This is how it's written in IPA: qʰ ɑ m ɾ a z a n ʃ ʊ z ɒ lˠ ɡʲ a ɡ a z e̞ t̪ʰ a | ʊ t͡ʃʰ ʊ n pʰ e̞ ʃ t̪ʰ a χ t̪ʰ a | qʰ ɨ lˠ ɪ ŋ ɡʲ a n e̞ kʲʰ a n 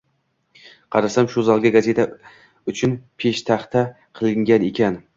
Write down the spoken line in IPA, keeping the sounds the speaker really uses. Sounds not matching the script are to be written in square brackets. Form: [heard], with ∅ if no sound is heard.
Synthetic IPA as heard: qʰ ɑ [∅] ɾ a [s] a [m] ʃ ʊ z ɒ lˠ ɡʲ a ɡ a z e̞ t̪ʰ a | ʊ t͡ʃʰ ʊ n pʰ e̞ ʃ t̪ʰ a χ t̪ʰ a | qʰ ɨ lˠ ɪ ŋ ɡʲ a n e̞ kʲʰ a n